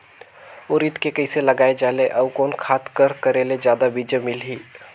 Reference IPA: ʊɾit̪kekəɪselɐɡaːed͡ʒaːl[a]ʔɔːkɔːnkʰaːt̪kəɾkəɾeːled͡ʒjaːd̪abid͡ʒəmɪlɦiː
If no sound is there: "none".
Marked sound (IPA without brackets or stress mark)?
e